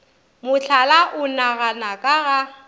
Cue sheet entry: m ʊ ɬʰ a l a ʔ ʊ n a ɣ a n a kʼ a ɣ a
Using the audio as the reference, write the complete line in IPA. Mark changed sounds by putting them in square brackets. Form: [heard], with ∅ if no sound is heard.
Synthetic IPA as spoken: m ʊ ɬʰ a l a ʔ ʊ n a ɣ a n a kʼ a ɣ a